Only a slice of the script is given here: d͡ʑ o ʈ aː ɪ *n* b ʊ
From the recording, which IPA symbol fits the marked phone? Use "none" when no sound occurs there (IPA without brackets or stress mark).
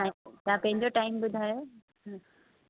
m